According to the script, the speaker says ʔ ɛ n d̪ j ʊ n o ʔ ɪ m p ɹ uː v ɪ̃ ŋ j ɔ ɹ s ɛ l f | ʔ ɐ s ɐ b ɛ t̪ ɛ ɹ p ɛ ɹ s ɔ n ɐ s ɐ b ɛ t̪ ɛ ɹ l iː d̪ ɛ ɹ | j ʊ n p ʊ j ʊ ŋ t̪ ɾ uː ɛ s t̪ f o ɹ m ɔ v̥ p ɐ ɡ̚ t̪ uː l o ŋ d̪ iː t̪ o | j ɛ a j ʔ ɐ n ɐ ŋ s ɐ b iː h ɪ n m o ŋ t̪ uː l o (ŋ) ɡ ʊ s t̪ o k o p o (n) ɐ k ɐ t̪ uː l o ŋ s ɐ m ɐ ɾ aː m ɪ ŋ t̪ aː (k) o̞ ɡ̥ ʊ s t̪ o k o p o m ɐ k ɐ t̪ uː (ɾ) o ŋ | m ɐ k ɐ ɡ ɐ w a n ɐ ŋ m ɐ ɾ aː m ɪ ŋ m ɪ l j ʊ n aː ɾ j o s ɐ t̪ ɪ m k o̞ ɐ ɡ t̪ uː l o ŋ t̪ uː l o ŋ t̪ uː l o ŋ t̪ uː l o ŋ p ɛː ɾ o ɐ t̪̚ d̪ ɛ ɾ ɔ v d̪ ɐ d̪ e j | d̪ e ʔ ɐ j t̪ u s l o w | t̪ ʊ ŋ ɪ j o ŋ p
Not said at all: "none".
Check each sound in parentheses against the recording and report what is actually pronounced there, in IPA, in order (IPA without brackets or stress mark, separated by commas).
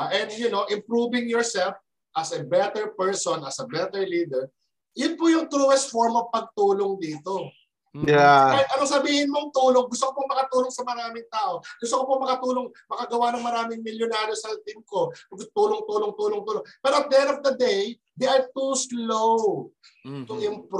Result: ŋ, m, ʔ, l